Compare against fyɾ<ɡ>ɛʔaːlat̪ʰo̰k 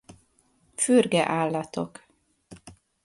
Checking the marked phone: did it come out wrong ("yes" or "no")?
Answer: no